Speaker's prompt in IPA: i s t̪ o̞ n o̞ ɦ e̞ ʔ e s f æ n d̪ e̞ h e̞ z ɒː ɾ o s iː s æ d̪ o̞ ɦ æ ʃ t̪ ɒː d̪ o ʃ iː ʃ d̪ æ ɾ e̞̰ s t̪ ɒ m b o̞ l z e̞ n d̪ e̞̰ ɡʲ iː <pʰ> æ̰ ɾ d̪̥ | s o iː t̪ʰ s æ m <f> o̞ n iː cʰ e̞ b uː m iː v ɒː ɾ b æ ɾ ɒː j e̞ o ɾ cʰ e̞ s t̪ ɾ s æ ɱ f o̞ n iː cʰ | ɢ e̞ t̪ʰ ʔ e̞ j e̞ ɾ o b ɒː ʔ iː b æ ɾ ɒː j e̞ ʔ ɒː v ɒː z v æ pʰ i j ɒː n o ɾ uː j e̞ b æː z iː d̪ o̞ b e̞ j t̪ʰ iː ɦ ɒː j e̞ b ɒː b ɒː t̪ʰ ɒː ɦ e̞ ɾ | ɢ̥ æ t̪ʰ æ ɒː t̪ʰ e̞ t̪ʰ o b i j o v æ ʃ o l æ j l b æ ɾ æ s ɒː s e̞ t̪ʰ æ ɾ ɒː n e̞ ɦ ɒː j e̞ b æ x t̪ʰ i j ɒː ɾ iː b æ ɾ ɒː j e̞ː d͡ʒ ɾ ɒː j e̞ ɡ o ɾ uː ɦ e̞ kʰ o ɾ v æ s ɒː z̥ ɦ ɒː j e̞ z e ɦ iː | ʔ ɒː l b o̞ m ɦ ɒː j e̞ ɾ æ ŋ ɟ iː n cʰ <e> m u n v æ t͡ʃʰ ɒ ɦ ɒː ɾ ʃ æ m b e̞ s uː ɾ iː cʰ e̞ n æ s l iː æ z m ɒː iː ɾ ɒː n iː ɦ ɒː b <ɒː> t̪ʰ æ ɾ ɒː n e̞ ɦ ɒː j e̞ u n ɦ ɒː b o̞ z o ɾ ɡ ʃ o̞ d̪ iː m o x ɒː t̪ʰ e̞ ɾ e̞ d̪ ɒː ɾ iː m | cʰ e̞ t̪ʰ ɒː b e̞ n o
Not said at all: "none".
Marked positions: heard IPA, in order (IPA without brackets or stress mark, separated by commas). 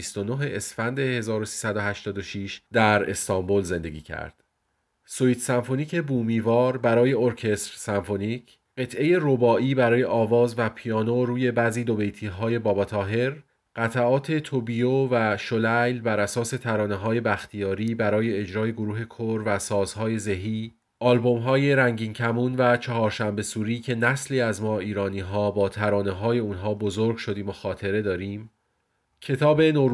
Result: cʰ, f, æ, ɒː